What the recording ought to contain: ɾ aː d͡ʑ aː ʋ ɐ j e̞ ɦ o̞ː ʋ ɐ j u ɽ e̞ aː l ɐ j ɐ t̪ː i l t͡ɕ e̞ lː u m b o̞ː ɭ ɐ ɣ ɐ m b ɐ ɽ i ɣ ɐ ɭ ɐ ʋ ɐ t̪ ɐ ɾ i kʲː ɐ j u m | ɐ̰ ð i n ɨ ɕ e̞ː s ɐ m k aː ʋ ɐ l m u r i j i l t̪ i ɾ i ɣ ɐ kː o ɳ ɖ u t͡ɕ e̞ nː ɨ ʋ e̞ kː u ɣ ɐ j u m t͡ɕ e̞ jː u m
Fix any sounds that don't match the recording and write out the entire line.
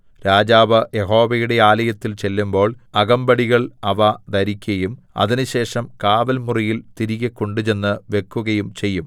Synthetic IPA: ɾ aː d͡ʑ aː ʋ ɐ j e̞ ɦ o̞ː ʋ ɐ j u ɽ e̞ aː l ɐ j ɐ t̪ː i l t͡ɕ e̞ lː u m b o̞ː ɭ ɐ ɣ ɐ m b ɐ ɽ i ɣ ɐ ɭ ɐ ʋ ɐ d̪ ɐ ɾ i kʲː ɐ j u m | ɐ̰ ð i n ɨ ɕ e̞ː ʂ ɐ m k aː ʋ ɐ l m u r i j i l t̪ i ɾ i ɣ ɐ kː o ɳ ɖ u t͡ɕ e̞ nː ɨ ʋ e̞ kː u ɣ ɐ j u m t͡ɕ e̞ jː u m